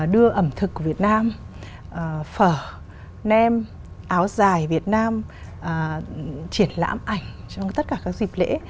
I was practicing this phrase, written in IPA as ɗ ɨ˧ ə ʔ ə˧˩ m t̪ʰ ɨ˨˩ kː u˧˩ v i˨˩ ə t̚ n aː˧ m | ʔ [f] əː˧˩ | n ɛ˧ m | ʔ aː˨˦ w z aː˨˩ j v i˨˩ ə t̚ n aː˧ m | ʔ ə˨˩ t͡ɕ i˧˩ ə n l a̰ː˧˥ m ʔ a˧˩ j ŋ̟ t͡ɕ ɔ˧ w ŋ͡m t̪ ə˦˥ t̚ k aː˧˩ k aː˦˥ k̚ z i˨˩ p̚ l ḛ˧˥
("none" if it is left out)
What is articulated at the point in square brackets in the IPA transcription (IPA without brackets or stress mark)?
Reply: f